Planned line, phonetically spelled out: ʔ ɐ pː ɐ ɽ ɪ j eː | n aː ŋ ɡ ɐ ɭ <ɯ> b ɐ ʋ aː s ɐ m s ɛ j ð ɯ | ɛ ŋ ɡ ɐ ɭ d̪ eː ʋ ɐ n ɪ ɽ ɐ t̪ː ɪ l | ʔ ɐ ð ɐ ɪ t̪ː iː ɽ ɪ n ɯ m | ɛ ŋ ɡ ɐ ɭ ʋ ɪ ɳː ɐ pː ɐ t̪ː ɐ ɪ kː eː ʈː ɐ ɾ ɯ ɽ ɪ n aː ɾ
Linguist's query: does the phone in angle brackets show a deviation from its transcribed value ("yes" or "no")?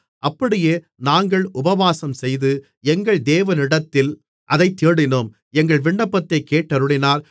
yes